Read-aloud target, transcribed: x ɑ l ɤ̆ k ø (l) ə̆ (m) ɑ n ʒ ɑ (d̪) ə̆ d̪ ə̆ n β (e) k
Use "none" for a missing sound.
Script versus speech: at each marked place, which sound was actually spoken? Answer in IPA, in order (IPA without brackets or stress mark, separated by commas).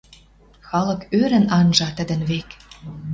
ɾ, n, t̪, e